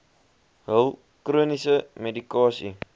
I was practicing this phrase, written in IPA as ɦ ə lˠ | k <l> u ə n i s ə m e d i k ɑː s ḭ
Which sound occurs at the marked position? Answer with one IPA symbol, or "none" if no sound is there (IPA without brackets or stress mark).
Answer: r